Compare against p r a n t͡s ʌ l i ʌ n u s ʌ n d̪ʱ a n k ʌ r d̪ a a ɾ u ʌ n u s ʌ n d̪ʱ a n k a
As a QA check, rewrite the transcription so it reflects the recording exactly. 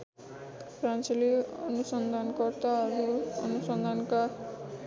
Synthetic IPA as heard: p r a n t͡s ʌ l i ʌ n u s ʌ n d̪ʱ a n k ʌ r t̪ a ʌ ɾ u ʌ n u s ʌ n d̪ʱ a n k a